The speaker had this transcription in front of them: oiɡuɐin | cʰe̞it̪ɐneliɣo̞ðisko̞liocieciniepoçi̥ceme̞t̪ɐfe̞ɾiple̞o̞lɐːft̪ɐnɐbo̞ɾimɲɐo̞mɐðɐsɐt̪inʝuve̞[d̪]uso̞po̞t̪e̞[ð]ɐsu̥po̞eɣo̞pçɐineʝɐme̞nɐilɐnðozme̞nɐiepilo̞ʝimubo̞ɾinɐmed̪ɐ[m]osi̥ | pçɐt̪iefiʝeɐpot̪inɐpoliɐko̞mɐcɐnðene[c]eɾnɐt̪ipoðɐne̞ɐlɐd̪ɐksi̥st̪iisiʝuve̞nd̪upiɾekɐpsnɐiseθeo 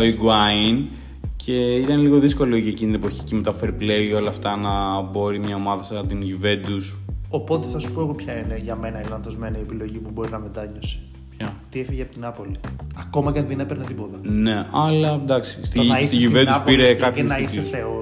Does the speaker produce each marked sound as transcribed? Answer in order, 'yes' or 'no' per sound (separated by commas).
yes, no, no, no